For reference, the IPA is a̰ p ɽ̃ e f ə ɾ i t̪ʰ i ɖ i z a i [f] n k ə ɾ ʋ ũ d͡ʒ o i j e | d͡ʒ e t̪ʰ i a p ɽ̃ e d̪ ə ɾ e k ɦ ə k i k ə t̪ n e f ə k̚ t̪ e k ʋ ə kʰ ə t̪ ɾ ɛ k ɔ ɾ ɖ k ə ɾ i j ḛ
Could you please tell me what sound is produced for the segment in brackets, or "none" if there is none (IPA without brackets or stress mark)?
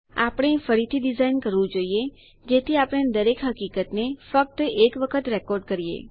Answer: none